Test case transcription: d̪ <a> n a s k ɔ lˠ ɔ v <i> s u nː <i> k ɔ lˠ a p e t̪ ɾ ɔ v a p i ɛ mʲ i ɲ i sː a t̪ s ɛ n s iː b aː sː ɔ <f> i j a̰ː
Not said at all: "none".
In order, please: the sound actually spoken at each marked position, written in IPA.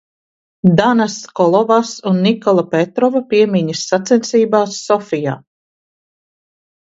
a, a, i, f

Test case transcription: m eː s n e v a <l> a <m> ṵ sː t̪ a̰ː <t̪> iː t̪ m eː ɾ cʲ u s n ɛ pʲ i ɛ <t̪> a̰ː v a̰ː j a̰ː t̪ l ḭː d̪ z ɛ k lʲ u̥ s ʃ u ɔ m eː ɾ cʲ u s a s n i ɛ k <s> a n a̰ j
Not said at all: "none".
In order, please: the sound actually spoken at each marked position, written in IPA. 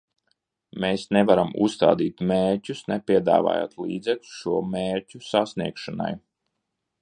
ɾ, m, d̪, d̪, ʃ

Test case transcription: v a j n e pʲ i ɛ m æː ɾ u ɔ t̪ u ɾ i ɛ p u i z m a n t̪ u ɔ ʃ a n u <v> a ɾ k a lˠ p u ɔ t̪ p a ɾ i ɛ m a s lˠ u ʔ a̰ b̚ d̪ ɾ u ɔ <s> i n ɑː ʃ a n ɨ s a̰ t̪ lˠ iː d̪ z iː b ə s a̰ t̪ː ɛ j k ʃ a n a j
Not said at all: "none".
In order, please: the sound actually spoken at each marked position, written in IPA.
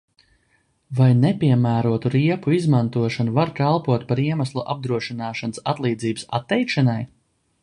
v, ʃ

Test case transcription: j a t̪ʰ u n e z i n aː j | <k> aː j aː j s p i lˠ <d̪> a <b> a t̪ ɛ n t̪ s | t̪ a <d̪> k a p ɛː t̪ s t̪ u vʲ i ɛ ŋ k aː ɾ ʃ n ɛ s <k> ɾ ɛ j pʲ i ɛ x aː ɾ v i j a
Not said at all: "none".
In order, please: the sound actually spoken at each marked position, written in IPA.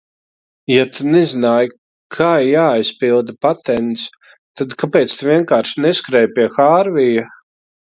kʰ, d̪, p, d̪, k

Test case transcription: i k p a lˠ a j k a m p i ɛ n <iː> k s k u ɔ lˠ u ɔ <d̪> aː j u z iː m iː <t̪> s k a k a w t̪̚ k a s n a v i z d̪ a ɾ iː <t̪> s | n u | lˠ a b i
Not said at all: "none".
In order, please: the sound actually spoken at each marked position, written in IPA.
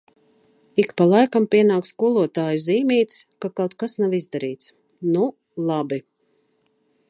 aː, t̪, t̪, t̪

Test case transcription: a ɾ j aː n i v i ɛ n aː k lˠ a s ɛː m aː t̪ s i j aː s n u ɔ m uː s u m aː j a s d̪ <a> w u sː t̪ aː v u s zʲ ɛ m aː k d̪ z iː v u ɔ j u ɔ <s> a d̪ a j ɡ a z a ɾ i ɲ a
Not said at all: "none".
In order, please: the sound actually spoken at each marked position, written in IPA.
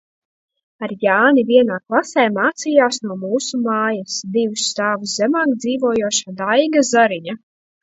i, ʃ

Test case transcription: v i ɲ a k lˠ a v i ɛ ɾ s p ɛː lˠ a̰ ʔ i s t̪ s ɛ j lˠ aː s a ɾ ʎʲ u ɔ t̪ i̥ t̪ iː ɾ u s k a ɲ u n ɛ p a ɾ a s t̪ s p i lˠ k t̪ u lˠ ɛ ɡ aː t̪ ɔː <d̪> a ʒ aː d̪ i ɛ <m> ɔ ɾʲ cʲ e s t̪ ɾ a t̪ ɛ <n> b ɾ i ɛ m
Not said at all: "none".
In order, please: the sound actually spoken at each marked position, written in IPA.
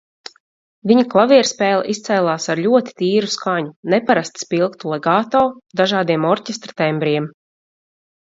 d̪, m, m

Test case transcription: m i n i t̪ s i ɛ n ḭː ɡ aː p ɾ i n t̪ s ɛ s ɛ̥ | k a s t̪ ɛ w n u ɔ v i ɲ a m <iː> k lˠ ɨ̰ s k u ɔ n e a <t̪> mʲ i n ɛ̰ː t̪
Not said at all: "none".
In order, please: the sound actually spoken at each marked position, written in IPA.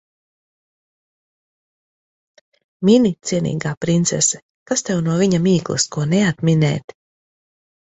iː, t̪

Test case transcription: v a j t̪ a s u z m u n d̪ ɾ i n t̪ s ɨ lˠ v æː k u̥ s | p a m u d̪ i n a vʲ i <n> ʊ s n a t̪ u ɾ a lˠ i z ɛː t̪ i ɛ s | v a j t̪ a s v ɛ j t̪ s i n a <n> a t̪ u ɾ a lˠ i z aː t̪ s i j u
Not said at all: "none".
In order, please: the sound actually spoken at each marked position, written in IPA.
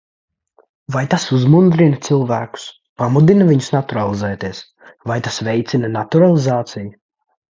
ɲ, n

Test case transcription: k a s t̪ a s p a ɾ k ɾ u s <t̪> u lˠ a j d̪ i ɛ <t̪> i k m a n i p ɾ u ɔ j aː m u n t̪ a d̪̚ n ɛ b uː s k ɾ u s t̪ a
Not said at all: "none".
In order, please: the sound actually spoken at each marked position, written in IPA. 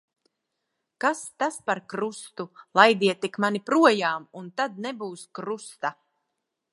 t̪, t̪

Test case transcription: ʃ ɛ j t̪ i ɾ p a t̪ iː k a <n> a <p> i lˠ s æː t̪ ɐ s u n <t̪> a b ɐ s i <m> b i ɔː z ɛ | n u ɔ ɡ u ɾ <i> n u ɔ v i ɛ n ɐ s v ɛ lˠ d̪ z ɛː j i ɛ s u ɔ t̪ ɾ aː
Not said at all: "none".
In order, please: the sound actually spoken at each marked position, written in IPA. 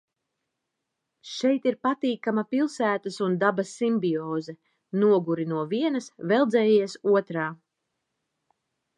m, p, d̪, m, i

